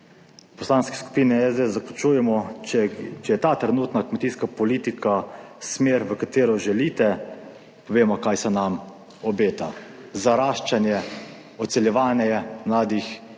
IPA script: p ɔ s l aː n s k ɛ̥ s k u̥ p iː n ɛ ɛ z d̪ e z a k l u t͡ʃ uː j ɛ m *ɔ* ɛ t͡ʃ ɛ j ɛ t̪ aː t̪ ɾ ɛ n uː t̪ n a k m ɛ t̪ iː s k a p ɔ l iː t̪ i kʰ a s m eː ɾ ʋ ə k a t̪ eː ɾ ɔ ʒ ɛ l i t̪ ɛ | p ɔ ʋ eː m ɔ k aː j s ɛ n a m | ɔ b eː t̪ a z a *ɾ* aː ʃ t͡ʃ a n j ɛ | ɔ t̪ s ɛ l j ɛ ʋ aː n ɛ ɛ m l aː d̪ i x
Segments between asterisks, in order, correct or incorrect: correct, correct

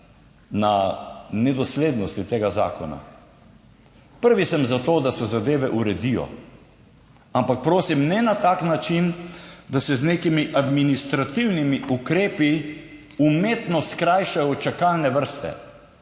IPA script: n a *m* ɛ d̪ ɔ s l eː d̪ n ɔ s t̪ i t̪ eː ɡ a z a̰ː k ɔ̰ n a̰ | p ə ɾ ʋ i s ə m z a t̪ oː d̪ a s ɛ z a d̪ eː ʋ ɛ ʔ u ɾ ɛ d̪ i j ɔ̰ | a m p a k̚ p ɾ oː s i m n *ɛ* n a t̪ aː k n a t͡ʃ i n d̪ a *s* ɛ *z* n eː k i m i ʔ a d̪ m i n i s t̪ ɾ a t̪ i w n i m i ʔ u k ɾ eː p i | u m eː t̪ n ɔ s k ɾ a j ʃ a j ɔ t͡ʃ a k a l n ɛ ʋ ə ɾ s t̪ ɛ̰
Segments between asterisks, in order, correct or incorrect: incorrect, correct, correct, correct

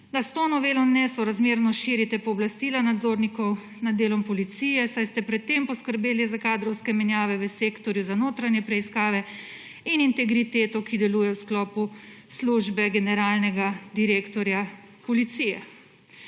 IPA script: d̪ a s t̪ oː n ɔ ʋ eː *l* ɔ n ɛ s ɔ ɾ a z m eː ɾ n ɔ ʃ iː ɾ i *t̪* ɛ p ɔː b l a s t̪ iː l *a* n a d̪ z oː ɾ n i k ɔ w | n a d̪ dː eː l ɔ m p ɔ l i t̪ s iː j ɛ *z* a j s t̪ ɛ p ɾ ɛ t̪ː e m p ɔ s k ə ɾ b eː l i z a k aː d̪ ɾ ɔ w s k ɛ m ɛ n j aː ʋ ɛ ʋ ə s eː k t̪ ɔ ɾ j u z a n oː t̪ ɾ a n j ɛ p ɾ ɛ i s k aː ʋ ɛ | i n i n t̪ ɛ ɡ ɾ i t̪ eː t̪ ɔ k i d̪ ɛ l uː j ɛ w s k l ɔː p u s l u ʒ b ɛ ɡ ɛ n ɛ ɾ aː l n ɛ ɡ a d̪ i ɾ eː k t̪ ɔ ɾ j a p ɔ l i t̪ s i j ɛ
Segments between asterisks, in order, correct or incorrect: correct, correct, correct, incorrect

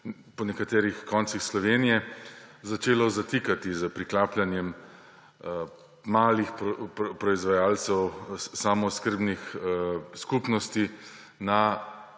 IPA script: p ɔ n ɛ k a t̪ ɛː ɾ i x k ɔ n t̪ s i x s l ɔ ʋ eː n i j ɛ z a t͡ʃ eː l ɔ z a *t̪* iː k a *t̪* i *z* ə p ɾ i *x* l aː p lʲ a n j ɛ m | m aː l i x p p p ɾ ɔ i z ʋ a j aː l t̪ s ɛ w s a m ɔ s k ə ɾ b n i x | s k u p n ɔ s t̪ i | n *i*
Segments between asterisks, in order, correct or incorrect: correct, correct, correct, incorrect, incorrect

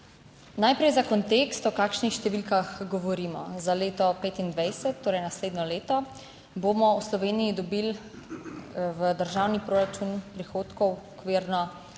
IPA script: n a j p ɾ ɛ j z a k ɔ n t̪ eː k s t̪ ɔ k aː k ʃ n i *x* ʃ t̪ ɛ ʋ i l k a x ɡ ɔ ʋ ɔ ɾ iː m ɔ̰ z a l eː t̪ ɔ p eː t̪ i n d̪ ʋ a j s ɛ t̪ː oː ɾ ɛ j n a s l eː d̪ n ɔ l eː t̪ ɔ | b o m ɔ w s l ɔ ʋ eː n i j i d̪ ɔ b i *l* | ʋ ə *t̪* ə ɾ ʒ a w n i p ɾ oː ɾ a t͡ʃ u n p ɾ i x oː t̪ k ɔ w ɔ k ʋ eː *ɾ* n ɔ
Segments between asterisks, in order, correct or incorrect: correct, correct, incorrect, correct

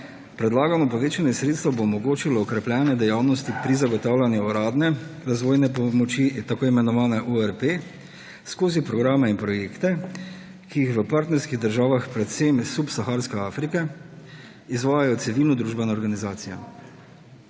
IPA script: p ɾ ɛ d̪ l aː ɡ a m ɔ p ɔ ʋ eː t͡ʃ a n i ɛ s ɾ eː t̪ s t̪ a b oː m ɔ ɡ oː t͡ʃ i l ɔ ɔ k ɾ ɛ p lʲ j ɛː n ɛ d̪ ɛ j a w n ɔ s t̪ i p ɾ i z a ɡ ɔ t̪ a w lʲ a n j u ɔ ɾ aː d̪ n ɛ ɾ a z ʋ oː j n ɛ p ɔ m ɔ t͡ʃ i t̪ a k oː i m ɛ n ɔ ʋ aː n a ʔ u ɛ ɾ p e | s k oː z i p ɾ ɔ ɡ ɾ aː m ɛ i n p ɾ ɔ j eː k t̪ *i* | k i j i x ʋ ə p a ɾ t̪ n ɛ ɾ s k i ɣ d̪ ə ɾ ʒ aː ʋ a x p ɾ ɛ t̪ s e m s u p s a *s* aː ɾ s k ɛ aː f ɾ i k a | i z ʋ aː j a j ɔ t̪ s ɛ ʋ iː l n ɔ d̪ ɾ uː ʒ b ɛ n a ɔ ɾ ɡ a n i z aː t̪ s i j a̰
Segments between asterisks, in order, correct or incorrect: incorrect, incorrect

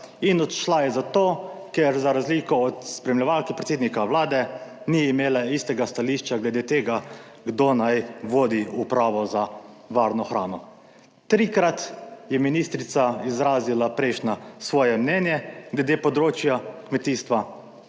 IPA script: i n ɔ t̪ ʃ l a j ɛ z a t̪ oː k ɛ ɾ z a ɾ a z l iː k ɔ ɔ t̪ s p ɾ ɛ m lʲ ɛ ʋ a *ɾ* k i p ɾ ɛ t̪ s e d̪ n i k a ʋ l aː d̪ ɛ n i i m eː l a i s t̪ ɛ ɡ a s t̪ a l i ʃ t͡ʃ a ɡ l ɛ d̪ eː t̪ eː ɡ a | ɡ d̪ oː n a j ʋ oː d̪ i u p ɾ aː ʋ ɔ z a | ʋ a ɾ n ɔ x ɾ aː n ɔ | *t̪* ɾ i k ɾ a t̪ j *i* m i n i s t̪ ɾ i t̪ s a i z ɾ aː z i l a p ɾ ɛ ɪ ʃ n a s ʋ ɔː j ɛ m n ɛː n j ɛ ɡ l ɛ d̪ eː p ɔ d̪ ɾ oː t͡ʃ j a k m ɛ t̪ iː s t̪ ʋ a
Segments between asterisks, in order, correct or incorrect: incorrect, correct, incorrect

